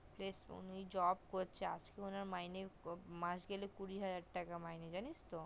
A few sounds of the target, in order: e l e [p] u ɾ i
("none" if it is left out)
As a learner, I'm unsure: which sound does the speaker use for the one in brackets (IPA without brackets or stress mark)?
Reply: k